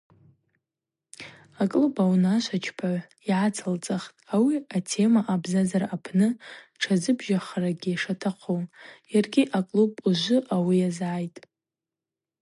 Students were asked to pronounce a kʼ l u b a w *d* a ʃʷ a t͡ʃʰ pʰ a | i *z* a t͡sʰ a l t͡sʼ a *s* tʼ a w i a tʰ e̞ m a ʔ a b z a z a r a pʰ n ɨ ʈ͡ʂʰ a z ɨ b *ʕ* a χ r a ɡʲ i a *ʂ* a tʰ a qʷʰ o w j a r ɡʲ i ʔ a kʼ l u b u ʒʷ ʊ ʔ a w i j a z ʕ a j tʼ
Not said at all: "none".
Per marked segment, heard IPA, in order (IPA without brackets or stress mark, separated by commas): n, ʕ, χ, ʒ, ʂ